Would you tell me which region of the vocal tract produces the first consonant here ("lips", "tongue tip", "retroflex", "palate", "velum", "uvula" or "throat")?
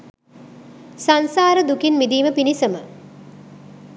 tongue tip